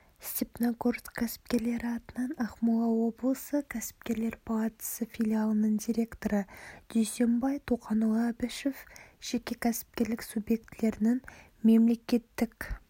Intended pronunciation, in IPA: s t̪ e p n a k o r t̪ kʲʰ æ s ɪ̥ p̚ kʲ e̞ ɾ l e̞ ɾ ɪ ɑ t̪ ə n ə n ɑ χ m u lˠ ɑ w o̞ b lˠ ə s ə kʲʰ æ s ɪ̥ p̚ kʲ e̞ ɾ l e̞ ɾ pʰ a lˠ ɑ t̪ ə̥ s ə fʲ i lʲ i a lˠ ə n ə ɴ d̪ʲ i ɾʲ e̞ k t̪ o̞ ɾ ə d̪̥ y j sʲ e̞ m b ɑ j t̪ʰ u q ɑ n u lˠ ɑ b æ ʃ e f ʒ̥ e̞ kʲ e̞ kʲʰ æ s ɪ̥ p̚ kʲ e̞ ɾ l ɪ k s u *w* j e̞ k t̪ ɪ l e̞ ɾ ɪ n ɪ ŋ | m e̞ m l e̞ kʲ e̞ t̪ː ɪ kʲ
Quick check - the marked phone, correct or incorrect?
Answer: incorrect